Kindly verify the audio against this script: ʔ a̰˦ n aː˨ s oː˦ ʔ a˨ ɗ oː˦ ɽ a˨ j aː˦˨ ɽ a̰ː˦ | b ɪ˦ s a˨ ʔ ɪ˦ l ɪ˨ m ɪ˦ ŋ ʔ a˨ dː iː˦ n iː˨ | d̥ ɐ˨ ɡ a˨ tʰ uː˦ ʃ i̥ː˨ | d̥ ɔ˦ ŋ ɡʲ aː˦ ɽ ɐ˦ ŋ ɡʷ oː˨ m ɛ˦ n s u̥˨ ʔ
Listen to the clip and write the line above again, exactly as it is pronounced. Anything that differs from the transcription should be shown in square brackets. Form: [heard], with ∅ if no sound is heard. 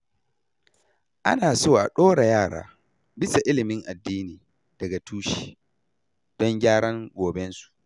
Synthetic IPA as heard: ʔ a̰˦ n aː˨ s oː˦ ʔ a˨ ɗ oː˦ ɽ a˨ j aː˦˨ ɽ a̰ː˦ | b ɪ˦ s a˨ ʔ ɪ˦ l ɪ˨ m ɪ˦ ŋ ʔ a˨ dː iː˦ n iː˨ | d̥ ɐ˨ ɡ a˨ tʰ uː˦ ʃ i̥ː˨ | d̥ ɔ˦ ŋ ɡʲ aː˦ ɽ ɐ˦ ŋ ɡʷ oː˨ [b] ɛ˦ n s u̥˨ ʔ